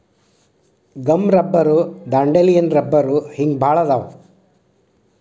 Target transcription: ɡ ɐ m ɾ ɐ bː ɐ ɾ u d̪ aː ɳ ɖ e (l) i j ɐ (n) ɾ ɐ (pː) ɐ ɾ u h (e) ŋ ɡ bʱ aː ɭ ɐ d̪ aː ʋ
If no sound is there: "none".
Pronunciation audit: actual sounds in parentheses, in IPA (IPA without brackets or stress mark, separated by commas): l, n, bː, i